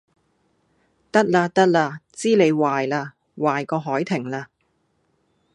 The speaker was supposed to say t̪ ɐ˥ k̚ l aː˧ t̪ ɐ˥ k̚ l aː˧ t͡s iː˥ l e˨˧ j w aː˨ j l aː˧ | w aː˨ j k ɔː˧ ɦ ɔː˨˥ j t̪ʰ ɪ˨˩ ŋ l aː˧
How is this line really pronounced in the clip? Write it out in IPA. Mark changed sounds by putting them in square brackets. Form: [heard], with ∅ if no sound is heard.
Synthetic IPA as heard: t̪ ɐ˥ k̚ l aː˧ t̪ ɐ˥ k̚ l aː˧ t͡s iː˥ l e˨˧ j w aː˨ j l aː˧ | w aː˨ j k ɔː˧ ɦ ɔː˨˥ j t̪ʰ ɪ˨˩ ŋ l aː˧

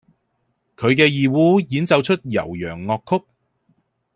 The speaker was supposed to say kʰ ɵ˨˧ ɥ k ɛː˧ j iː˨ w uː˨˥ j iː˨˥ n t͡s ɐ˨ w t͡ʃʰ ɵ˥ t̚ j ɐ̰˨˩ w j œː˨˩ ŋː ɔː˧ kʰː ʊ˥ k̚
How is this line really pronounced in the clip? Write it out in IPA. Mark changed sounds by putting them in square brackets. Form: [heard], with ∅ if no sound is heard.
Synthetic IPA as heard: kʰ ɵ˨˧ ɥ k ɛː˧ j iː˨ w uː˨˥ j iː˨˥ n t͡s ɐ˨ w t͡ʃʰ ɵ˥ t̚ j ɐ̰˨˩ w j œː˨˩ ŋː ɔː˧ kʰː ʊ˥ k̚

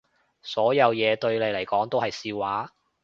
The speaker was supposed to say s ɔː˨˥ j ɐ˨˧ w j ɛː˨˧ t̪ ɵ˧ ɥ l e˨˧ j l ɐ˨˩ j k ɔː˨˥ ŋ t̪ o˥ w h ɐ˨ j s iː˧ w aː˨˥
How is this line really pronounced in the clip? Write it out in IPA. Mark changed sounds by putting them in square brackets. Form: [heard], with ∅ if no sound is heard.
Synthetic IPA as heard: s ɔː˨˥ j ɐ˨˧ w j ɛː˨˧ t̪ ɵ˧ ɥ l e˨˧ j l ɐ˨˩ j k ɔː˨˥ ŋ t̪ o˥ w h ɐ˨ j s iː˧ w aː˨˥

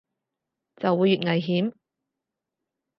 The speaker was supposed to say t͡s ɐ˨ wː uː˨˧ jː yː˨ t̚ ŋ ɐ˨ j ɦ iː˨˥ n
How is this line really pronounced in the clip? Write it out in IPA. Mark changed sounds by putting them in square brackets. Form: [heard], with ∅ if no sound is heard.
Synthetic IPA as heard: t͡s ɐ˨ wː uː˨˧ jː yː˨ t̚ ŋ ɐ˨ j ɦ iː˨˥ [m]

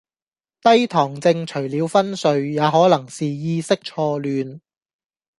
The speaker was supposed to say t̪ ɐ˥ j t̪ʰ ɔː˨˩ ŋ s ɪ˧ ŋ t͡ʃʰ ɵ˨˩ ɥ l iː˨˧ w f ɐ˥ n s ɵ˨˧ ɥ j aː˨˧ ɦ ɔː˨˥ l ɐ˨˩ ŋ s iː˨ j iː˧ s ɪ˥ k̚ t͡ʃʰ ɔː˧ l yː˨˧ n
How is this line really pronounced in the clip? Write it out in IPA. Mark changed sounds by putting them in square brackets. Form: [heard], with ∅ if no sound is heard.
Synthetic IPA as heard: t̪ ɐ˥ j t̪ʰ ɔː˨˩ ŋ [t͡s] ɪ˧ ŋ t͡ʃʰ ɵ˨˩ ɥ l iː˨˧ w f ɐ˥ n s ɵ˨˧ ɥ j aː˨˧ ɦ ɔː˨˥ l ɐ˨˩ ŋ s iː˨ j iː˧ s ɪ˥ k̚ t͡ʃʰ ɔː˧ l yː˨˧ n

